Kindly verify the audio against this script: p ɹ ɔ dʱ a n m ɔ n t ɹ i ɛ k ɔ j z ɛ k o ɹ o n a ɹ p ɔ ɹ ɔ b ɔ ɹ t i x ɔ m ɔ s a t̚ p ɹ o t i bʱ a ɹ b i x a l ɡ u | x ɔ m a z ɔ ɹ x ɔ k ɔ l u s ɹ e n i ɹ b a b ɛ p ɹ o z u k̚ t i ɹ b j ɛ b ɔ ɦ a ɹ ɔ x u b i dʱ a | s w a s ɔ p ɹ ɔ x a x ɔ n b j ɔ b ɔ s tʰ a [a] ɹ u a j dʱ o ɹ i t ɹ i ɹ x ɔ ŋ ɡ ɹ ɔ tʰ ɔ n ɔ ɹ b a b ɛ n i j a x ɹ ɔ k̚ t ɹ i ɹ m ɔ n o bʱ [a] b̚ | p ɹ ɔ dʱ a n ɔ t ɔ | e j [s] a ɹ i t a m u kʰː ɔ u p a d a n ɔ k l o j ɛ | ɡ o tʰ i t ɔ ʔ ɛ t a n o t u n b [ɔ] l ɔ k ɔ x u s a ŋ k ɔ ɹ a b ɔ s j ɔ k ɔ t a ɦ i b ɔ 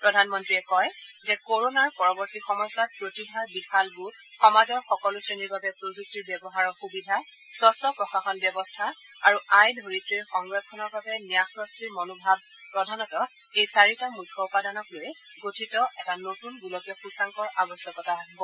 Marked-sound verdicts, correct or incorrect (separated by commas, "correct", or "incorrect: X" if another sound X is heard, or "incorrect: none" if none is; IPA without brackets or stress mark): correct, correct, correct, incorrect: u